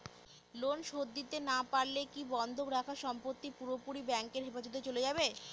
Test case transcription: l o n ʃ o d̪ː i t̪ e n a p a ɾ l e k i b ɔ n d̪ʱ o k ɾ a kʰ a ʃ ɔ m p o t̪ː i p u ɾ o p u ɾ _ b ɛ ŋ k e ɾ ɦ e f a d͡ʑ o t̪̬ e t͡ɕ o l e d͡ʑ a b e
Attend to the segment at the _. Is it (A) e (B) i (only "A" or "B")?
B